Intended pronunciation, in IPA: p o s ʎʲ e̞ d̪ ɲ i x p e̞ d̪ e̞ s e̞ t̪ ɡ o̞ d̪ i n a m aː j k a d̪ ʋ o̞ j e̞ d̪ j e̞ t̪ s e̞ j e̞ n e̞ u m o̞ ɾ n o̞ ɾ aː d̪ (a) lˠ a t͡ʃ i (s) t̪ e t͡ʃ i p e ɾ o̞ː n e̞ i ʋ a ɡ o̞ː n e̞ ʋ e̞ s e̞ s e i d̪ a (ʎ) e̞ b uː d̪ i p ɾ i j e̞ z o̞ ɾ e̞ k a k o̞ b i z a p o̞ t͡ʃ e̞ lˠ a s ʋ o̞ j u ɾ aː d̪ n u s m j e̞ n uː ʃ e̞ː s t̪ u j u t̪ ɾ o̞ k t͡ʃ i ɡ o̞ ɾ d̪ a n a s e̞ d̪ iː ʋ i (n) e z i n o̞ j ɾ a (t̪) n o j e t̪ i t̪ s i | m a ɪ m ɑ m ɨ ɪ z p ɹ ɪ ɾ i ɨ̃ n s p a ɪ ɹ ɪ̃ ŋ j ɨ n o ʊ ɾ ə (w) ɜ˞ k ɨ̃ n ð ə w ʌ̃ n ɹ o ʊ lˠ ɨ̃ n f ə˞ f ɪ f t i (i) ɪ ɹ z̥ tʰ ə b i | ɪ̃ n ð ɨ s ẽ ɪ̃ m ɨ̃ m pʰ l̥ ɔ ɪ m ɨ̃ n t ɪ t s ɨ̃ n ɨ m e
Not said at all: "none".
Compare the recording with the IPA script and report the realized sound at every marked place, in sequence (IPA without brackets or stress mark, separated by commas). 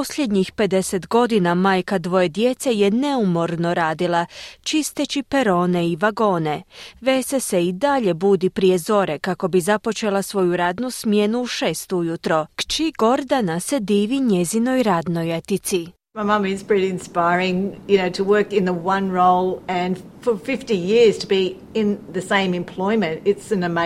i, s, ʎ, ɲ, d̪, w, j